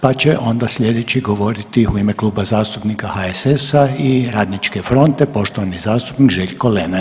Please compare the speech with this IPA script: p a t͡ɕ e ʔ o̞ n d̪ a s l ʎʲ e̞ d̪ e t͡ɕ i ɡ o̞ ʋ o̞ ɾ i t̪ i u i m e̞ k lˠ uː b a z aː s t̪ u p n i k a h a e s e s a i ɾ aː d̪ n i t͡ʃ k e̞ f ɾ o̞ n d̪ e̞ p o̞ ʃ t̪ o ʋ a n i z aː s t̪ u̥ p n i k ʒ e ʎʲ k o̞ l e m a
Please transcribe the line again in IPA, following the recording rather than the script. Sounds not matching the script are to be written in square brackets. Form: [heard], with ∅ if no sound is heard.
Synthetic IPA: p a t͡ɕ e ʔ o̞ n d̪ a s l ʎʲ e̞ d̪ e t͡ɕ i ɡ o̞ ʋ o̞ ɾ i t̪ i u i m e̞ k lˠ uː b a z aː s t̪ u p n i k a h a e s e s a i ɾ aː d̪ n i t͡ʃ k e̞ f ɾ o̞ n [t̪] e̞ p o̞ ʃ t̪ o ʋ a n i z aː s t̪ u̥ p n i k ʒ e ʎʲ k o̞ l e [n] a